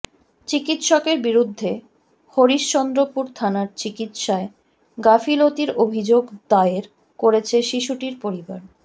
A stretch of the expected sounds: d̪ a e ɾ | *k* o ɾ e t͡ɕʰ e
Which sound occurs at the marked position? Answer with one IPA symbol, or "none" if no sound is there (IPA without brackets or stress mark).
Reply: k